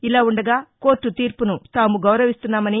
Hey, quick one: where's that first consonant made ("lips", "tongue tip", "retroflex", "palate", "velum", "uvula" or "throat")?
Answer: tongue tip